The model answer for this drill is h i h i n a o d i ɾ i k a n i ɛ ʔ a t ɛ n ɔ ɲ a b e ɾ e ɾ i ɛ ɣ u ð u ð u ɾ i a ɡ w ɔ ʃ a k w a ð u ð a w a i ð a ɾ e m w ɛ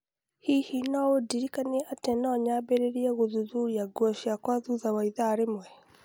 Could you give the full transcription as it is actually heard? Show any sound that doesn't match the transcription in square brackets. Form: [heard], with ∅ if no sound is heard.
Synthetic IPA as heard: h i h i n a o d i ɾ i k a n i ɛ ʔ a t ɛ n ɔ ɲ a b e ɾ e ɾ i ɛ ɣ [o] ð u ð u ɾ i a ɡ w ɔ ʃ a k w a ð u ð a w a i ð a ɾ e m w ɛ